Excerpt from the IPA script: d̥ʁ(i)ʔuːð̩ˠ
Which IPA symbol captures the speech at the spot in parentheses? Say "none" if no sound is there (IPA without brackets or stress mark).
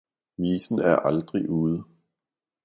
i